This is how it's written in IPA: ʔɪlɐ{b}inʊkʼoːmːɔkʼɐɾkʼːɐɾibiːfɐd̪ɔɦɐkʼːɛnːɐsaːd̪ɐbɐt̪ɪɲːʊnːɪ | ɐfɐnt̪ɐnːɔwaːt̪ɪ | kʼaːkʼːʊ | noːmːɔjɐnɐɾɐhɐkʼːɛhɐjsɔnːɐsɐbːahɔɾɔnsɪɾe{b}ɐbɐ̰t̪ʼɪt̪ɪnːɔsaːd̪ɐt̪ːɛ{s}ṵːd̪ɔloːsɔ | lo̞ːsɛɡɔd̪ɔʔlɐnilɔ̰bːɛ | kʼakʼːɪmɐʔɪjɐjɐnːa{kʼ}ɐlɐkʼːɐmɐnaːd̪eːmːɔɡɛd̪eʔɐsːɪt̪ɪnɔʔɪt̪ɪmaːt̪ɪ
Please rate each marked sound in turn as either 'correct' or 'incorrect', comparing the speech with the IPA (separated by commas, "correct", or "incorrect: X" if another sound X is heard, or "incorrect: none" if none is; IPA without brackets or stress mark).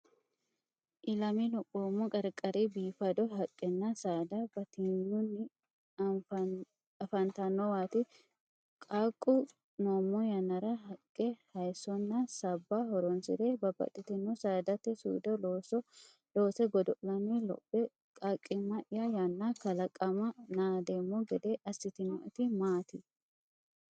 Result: incorrect: m, correct, correct, incorrect: k